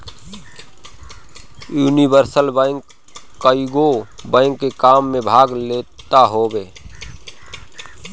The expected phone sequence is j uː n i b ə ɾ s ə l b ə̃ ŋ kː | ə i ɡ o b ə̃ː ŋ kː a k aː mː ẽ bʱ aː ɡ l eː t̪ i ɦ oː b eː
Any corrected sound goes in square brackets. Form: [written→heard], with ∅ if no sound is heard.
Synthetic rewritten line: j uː n i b ə ɾ s ə l b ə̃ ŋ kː | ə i ɡ o b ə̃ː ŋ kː [a→e] k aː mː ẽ bʱ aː ɡ l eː t̪ [i→a] ɦ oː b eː